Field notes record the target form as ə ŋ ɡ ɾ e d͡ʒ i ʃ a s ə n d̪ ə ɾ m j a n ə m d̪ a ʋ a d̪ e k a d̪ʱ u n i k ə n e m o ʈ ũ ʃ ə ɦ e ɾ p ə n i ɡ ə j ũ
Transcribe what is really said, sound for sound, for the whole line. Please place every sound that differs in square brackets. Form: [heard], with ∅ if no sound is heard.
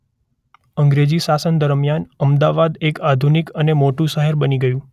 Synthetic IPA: ə ŋ ɡ ɾ e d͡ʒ i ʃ a s ə n d̪ ə ɾ m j a n ə m d̪ a ʋ a d̪ e k a d̪ʱ u n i k ə n e m o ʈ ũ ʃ ə ɦ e ɾ [b] ə n i ɡ ə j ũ